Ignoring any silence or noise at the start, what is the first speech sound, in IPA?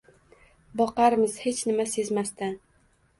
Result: b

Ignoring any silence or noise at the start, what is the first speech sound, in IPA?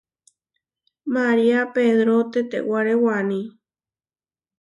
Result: m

